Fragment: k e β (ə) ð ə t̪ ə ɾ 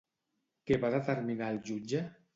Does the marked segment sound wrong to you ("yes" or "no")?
yes